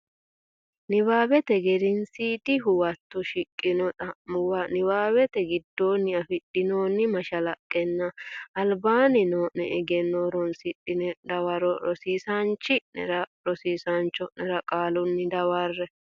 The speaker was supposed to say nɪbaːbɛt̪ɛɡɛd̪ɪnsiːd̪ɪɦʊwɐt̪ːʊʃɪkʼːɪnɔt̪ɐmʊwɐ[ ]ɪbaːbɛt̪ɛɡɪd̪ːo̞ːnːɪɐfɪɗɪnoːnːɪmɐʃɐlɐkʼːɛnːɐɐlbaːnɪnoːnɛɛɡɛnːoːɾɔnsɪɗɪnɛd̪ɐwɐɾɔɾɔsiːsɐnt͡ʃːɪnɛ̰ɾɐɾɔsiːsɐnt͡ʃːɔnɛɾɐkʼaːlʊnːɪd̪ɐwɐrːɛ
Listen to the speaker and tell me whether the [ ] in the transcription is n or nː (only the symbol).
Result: n